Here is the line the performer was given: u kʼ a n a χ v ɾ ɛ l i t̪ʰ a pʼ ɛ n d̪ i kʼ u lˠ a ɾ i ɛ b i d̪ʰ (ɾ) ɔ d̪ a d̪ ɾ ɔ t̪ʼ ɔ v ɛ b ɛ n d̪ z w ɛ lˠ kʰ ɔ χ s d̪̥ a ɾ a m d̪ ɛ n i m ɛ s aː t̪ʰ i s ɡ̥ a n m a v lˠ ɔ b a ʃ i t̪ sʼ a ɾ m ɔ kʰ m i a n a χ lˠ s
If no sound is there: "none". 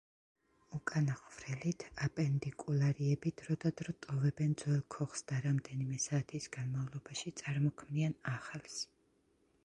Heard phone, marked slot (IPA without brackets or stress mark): ɾ